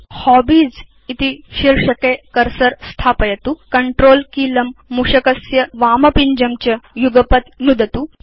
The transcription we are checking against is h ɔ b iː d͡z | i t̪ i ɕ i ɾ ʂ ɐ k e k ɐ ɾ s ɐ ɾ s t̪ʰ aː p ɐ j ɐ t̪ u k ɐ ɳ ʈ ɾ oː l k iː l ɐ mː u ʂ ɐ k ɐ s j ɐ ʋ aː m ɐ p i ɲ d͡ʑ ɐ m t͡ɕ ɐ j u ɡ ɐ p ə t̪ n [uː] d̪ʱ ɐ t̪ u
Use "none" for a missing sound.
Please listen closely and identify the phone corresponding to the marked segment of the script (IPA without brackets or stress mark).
u